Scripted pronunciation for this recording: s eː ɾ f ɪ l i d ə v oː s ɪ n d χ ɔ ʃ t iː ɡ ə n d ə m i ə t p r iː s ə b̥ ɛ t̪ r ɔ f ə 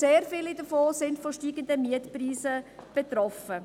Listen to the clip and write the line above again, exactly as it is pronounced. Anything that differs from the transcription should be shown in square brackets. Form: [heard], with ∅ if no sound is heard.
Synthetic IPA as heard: s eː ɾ f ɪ l i d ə [f] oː s ɪ n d [f] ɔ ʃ t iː ɡ ə n d ə m i ə t p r iː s ə b̥ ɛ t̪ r ɔ f ə

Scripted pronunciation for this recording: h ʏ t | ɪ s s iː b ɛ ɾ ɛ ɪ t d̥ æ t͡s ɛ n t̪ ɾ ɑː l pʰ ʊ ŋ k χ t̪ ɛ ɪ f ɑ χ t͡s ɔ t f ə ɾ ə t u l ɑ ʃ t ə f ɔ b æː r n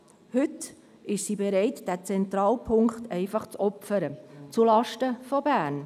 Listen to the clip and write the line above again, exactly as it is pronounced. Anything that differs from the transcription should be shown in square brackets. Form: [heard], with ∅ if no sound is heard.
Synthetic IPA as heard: h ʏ t | ɪ [ʃ] s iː b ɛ ɾ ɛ ɪ t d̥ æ t͡s ɛ n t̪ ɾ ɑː l pʰ ʊ ŋ k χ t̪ ɛ ɪ f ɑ χ t͡s ɔ [p] f ə ɾ ə [t͡s] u l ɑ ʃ t ə f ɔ b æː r n

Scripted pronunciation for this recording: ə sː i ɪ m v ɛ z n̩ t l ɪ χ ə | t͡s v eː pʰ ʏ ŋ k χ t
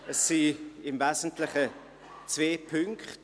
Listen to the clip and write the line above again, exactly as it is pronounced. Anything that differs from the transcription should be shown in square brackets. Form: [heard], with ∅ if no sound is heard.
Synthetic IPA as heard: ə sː i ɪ m v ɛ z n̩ t l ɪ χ ə | t͡s v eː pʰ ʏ ŋ k χ t

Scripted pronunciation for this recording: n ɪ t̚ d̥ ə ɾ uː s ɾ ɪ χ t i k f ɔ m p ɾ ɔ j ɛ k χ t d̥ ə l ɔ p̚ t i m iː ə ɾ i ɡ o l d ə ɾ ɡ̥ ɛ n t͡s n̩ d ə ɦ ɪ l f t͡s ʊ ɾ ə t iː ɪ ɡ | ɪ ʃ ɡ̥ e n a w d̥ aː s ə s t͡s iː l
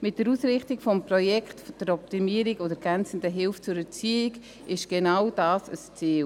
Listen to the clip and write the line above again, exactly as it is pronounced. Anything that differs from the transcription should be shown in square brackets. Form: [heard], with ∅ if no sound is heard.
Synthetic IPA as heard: [m] ɪ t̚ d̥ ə ɾ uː s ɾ ɪ χ t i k f ɔ m p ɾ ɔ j ɛ k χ t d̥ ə [ɾ] ɔ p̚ t i m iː ə ɾ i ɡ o [∅] d ə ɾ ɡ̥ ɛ n t͡s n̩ d ə ɦ ɪ l f t͡s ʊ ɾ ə [t͡s] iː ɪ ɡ | ɪ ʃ ɡ̥ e n a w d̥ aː s ə s t͡s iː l

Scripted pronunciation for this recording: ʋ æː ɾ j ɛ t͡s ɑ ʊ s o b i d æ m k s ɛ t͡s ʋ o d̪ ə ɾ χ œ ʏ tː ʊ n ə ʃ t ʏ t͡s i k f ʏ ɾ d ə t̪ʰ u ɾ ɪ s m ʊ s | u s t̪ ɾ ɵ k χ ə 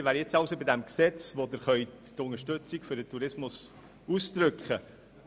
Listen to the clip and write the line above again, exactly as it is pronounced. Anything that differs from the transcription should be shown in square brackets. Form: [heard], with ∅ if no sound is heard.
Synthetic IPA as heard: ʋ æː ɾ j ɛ t͡s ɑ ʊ s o b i d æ m k s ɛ t͡s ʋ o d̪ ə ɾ χ œ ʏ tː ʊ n ə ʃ t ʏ t͡s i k f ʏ ɾ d ə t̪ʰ u ɾ ɪ s m ʊ s | u s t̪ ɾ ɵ k χ ə

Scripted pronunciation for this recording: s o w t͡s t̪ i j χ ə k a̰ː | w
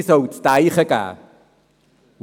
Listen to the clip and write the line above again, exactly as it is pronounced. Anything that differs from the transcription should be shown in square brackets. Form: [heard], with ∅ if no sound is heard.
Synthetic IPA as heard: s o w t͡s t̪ [a] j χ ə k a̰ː | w

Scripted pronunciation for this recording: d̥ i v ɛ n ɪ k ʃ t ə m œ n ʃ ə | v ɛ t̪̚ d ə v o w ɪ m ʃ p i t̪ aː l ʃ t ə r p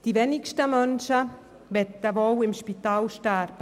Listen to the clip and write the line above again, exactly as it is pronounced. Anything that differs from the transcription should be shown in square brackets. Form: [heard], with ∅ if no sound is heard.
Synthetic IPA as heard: d̥ i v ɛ n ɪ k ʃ t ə m œ n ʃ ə | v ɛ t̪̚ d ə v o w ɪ m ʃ p i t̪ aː l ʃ t [a] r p

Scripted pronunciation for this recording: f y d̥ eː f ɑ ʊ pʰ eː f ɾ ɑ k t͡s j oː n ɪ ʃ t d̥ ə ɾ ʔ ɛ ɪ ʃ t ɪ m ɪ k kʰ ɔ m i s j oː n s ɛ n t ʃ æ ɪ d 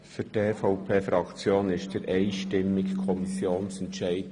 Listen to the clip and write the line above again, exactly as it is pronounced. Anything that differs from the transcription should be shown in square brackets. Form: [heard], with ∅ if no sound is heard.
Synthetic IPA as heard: f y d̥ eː f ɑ ʊ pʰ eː f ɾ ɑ k t͡s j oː n ɪ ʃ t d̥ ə ɾ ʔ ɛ ɪ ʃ t ɪ m ɪ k kʰ ɔ m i s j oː n s ɛ n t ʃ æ ɪ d

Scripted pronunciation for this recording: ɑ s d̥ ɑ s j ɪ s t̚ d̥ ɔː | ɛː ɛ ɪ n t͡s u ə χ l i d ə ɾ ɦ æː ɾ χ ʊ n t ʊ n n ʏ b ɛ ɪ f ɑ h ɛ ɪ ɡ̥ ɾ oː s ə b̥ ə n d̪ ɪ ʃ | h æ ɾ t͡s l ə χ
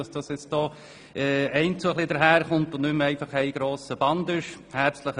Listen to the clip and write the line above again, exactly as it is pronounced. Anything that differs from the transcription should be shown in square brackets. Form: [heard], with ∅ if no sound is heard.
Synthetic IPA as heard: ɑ s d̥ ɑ s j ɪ [t͡s] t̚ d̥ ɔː | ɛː ɛ ɪ n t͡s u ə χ l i d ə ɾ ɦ æː ɾ χ ʊ n t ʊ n n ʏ [m] ɛ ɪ f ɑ [χ] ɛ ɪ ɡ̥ ɾ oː s ə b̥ [ɑ] n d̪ ɪ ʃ | h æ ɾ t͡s l ə χ

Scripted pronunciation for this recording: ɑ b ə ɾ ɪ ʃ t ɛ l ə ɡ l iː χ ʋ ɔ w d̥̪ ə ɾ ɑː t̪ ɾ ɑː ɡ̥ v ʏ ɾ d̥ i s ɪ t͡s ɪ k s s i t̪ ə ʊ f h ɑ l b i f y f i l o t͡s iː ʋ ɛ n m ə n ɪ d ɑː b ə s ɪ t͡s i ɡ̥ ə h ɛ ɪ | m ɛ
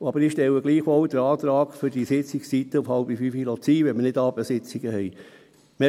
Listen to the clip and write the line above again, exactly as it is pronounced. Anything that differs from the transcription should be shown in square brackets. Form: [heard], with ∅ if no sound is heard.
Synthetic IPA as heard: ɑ b ə ɾ ɪ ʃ t ɛ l ə ɡ l iː χ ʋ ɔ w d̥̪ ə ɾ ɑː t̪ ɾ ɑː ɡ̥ [f] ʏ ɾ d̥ i s ɪ t͡s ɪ k s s i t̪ ə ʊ f h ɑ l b i f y f i l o t͡s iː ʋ ɛ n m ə n ɪ d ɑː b ə s ɪ t͡s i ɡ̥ ə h ɛ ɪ | m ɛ

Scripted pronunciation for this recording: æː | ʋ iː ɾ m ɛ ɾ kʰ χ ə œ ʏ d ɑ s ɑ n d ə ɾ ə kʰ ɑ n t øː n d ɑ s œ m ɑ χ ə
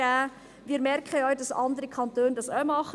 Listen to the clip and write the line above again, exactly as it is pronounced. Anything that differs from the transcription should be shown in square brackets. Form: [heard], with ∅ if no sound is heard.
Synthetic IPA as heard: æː | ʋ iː ɾ m ɛ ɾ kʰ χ ə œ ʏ d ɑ s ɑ n d ə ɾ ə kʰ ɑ n t øː n d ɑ s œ m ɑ χ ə

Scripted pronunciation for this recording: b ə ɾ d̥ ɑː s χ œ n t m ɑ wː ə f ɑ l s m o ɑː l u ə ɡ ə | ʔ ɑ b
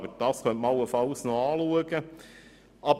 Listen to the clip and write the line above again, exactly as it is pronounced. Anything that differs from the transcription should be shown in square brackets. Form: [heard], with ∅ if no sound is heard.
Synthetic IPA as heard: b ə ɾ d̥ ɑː s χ œ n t m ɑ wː ə f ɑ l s [n] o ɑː l u ə ɡ ə | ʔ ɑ b

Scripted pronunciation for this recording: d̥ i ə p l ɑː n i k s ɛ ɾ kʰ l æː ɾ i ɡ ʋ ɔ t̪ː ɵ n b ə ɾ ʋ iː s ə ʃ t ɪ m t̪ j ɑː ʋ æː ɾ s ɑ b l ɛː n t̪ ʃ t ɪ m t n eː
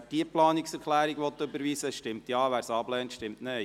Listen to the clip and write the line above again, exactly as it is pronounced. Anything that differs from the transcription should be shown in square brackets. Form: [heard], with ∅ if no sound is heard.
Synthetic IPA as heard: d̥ i ə p l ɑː n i k s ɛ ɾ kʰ l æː ɾ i ɡ ʋ ɔ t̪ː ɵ [∅] b ə ɾ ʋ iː s ə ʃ t ɪ m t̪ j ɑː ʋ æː ɾ s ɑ b l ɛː n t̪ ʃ t ɪ m t n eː

